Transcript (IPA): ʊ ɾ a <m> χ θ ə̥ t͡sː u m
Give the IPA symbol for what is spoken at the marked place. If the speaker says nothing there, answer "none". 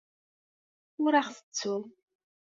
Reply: none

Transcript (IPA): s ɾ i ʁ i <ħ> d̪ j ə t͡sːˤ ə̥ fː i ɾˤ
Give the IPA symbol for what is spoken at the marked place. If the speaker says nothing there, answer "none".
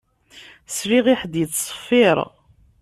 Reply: ħ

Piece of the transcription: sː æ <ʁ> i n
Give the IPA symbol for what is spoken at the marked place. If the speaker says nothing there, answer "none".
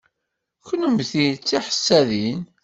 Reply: ð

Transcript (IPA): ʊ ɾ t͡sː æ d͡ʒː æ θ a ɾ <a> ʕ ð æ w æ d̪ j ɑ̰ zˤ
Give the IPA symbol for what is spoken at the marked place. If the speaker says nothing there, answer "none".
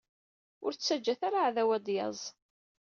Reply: a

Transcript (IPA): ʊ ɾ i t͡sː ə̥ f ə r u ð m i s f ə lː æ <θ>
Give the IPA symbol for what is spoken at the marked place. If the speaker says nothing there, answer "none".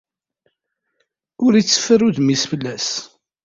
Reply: s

